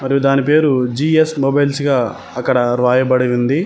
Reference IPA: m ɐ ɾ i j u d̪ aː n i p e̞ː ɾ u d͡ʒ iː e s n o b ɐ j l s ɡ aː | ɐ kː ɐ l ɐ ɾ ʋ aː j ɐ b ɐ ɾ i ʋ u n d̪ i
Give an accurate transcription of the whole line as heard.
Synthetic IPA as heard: m ɐ ɾ i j u d̪ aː n i p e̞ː ɾ u d͡ʒ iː e s m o b ɐ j l s ɡ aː | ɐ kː ɐ ɽ ɐ ɾ ʋ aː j ɐ b ɐ ɽ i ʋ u n d̪ i